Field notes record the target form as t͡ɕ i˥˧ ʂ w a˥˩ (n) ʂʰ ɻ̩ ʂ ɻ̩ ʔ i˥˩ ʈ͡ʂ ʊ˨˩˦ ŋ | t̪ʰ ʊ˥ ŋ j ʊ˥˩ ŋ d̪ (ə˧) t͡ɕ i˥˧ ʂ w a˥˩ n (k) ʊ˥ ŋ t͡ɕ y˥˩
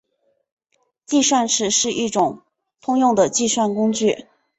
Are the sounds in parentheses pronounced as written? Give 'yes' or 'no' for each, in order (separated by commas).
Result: yes, no, yes